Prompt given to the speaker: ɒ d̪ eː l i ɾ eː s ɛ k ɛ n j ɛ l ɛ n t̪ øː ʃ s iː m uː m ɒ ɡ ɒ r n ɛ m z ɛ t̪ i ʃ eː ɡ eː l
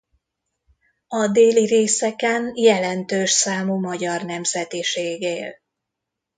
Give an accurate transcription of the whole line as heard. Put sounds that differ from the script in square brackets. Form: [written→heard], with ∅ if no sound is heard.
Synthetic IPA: ɒ d̪ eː l i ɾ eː s ɛ k ɛ n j ɛ l ɛ n t̪ øː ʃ s [iː→aː] m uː m ɒ [ɡ→ɟ] ɒ r n ɛ m z ɛ t̪ i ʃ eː ɡ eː l